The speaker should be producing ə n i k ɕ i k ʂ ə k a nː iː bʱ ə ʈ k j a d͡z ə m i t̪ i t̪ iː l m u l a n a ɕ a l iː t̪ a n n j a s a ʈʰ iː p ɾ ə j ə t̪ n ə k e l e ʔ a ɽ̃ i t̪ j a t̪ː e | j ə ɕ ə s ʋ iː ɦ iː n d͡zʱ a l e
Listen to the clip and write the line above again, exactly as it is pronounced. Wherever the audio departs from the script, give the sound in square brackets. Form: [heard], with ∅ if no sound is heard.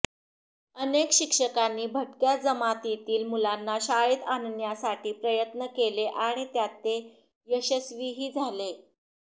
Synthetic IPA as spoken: ə n [e] k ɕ i k ʂ ə k a nː iː bʱ ə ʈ k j a d͡z ə m [a] t̪ i t̪ iː l m u l a [nː] a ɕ a [ɭ] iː t̪ a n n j a s a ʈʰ iː p ɾ ə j ə t̪ n ə k e l e ʔ a ɽ̃ i t̪ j a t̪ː e | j ə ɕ ə s ʋ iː ɦ iː [∅] d͡zʱ a l e